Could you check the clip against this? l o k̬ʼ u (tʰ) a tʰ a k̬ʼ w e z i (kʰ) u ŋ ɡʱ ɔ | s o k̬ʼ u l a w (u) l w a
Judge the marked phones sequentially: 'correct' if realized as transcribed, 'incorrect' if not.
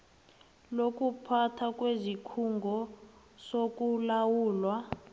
incorrect: pʰ, correct, incorrect: uː

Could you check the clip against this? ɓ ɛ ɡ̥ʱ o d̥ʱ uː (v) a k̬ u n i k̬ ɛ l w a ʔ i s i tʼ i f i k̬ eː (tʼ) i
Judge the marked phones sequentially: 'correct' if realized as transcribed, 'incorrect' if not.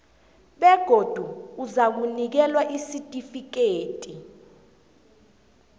incorrect: z, correct

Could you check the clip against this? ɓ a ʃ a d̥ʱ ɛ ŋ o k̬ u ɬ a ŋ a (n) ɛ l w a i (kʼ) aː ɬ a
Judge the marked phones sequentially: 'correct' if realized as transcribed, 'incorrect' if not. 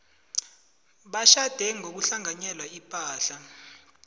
incorrect: ɲ, incorrect: pʼ

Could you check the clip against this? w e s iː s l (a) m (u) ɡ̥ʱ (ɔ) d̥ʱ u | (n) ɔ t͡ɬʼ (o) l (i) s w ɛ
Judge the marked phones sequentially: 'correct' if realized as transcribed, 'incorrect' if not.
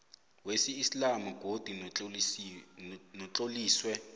correct, correct, incorrect: o, correct, correct, incorrect: iː

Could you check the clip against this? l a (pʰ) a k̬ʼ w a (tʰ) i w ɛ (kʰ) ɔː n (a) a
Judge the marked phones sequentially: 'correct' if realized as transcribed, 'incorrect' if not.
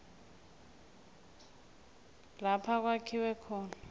correct, incorrect: kʰ, correct, correct

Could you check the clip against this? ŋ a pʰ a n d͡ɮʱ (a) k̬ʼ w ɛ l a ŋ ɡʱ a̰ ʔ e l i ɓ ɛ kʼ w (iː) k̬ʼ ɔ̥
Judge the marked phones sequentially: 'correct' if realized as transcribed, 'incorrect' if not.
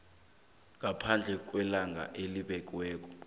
incorrect: ɛ, incorrect: ɛː

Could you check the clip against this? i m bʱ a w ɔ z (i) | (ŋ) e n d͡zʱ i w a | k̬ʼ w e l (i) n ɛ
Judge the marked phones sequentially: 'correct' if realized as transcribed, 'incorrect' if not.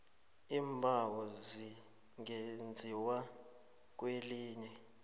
correct, correct, incorrect: iː

